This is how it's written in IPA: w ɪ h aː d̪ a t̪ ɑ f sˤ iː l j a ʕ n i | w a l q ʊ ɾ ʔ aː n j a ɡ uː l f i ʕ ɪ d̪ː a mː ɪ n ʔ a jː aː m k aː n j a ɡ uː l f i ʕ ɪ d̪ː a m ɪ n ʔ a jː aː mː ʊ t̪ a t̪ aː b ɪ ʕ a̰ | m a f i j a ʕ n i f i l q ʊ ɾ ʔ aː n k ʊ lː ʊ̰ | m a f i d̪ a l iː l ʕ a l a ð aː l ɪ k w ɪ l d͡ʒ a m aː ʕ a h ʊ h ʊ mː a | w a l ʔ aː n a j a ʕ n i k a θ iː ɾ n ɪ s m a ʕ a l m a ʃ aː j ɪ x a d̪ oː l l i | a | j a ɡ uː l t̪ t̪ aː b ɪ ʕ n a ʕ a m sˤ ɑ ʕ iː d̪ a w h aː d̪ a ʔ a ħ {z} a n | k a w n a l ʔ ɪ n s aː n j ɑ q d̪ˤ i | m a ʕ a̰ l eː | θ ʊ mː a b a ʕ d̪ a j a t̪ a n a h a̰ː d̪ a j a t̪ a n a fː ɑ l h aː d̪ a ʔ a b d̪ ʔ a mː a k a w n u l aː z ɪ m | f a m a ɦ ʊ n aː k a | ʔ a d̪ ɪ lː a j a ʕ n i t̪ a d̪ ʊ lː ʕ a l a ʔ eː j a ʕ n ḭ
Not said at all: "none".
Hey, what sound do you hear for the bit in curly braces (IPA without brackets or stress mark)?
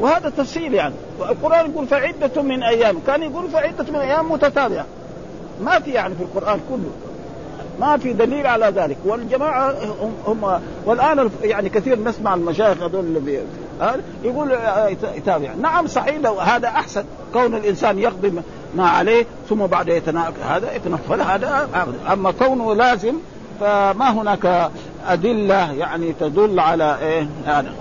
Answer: s